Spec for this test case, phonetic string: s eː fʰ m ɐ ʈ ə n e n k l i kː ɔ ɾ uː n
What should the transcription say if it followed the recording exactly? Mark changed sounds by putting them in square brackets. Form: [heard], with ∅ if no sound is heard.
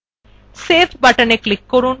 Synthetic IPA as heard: s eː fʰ [b] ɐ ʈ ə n e [∅] k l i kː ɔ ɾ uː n